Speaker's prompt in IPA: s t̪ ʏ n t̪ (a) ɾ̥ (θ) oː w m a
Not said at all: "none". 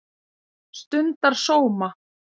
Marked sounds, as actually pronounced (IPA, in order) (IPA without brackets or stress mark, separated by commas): a, s